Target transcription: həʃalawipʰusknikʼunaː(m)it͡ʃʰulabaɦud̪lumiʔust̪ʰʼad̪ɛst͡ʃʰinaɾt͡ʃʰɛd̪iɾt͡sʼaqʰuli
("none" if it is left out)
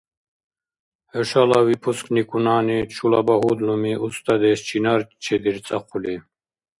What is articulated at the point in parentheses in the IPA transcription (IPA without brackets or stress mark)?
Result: n